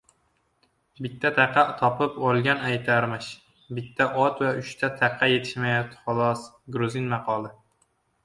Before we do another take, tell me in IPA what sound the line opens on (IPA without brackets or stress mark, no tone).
b